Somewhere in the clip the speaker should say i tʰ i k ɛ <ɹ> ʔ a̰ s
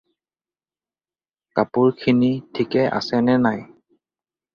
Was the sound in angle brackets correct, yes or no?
no